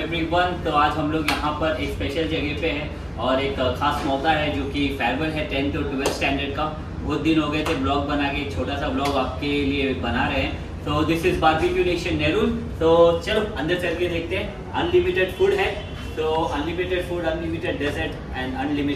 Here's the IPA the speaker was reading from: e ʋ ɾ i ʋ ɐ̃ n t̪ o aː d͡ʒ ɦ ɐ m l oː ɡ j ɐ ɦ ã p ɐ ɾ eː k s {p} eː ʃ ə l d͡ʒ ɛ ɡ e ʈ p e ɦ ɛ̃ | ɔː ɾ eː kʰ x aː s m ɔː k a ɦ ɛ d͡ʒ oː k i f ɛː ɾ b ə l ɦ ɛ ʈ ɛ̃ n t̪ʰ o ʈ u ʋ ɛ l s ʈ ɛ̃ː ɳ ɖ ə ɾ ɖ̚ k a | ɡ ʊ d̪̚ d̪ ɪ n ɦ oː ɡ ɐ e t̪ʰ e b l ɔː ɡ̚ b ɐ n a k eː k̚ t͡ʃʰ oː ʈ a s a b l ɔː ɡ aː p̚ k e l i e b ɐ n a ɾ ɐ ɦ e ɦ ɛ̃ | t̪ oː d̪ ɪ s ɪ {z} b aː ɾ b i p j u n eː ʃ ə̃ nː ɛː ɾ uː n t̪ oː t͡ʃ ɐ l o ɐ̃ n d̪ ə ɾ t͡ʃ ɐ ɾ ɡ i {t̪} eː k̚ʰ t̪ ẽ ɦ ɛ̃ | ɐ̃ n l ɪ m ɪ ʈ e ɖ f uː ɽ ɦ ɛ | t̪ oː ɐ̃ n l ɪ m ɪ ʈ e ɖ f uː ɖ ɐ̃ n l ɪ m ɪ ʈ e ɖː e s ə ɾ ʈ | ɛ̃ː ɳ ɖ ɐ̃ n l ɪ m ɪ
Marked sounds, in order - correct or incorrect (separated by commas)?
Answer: correct, correct, incorrect